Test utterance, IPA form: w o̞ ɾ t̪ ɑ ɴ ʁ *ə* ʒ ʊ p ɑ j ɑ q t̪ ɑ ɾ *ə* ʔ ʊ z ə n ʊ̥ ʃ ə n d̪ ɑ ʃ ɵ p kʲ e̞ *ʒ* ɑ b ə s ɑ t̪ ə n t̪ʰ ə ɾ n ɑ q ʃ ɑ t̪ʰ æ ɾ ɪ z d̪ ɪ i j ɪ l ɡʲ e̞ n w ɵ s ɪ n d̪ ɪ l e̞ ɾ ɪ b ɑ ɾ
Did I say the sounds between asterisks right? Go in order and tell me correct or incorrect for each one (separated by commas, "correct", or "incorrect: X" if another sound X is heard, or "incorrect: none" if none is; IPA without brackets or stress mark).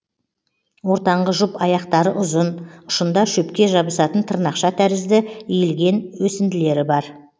correct, correct, correct